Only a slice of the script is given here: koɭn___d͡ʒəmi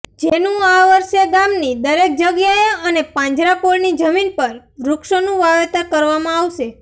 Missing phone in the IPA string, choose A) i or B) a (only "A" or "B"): A